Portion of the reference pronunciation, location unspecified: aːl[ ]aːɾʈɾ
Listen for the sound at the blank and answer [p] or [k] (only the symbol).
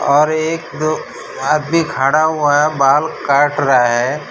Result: k